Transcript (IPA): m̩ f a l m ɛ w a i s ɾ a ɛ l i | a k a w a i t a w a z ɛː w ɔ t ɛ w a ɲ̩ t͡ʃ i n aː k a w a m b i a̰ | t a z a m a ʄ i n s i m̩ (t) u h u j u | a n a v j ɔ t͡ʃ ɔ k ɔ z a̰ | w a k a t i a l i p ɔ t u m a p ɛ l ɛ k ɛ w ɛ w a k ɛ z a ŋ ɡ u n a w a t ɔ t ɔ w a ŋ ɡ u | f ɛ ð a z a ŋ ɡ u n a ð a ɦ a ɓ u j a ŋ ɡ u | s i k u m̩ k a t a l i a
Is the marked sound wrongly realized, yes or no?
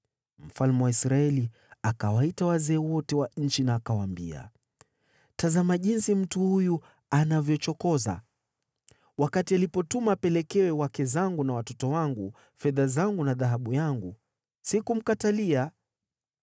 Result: no